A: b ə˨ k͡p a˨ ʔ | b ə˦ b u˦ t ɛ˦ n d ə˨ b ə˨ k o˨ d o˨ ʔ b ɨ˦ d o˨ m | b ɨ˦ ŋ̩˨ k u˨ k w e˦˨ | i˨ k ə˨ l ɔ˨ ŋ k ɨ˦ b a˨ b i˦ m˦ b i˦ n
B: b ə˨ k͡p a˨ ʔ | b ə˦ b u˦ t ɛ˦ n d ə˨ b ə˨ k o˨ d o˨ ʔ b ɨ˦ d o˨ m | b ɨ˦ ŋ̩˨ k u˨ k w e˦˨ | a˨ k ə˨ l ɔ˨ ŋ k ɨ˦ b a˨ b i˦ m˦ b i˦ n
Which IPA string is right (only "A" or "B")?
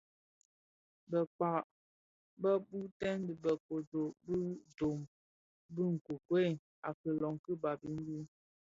B